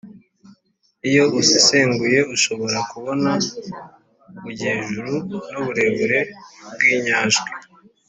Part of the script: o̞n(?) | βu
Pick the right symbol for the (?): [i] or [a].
a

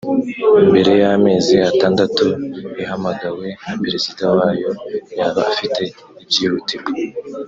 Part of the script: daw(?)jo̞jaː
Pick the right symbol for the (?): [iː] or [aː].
aː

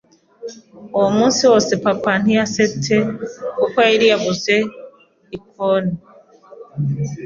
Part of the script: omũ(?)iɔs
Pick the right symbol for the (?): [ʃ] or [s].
s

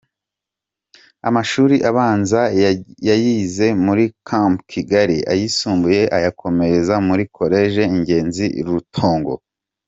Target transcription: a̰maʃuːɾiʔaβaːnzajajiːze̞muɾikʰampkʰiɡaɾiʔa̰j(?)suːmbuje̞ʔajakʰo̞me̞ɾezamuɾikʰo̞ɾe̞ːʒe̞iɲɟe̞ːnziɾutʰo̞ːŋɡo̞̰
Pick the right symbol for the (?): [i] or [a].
i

